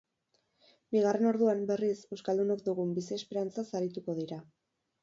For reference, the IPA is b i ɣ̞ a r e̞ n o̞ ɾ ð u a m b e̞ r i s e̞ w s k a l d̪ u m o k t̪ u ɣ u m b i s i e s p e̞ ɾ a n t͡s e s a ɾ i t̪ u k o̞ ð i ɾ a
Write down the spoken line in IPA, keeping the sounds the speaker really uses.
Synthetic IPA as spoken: b i ɣ̞ a r e̞ n o̞ ɾ ð u a m b e̞ r i s e̞ w s k a l d̪ u n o k d̪ u ɣ u m b i s i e s p e̞ ɾ a n t͡s a s a ɾ i t̪ u k o̞ ð i ɾ a